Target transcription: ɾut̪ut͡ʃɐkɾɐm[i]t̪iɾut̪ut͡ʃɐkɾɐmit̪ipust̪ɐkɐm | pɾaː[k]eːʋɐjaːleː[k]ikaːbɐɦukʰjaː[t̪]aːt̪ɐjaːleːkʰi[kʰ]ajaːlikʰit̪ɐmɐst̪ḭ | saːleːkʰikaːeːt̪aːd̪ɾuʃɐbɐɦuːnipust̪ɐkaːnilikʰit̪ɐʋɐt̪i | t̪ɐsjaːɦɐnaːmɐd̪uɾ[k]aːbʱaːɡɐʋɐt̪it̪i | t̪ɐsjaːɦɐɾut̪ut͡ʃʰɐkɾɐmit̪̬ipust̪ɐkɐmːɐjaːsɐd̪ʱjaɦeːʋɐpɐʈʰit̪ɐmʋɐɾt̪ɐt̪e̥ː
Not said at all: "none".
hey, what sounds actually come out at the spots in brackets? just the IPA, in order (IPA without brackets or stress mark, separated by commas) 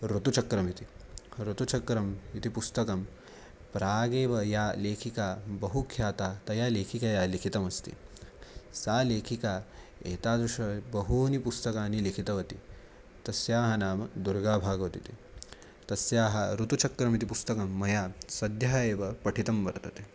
i, ɡ, kʰ, t̪, k, ɡ